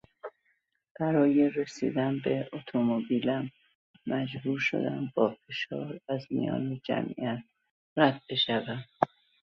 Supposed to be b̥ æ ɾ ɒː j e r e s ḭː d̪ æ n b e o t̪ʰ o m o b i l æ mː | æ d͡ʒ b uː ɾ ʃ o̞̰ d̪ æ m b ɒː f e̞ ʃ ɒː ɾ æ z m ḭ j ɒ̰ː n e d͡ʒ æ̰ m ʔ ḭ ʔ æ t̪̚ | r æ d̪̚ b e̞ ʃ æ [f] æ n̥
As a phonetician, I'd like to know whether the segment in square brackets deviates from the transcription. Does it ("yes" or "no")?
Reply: yes